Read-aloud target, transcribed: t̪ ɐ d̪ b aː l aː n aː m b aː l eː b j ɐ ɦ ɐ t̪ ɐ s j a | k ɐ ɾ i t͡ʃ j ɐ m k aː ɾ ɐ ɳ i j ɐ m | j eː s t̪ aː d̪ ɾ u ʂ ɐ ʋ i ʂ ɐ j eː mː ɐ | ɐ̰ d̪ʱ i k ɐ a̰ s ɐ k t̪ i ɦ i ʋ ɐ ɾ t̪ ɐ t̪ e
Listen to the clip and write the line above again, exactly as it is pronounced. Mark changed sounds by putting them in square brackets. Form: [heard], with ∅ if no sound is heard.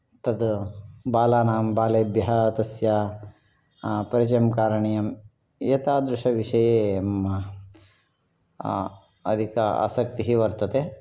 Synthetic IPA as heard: t̪ ɐ d̪ b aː l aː n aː m b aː l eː b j ɐ ɦ ɐ t̪ ɐ s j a | [p] ɐ ɾ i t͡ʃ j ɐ m k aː ɾ ɐ ɳ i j ɐ m | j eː [∅] t̪ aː d̪ ɾ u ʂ ɐ ʋ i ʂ ɐ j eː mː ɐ | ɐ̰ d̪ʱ i k ɐ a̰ s ɐ k t̪ i ɦ i ʋ ɐ ɾ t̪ ɐ t̪ e